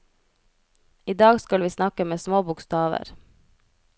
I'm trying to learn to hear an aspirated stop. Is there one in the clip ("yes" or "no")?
no